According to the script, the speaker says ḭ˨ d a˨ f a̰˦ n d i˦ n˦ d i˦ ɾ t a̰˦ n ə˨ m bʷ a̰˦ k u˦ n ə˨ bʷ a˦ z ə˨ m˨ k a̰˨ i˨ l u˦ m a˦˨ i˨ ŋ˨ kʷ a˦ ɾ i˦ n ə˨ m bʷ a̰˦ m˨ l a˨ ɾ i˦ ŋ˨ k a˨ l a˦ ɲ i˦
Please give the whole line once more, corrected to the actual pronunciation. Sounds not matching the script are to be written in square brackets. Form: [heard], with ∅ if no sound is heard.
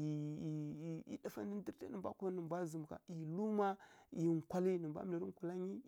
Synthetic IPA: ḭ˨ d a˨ f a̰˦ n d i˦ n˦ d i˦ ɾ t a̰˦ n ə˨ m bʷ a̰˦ k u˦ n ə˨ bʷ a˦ z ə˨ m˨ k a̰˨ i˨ l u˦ m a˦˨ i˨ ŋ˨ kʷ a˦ [l] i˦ n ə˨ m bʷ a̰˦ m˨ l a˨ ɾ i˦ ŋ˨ k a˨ l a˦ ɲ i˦